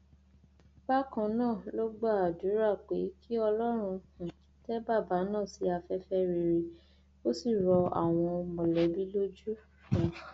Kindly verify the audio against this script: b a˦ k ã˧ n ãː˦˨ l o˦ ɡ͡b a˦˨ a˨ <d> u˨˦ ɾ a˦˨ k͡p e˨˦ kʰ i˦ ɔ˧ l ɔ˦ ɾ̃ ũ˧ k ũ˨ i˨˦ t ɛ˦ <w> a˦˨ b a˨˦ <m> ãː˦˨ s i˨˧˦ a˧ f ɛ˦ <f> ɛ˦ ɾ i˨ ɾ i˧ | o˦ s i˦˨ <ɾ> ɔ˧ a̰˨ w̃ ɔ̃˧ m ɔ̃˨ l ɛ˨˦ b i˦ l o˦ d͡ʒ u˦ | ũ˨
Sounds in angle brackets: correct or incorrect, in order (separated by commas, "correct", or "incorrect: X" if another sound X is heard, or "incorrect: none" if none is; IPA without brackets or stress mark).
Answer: correct, incorrect: b, incorrect: n, correct, correct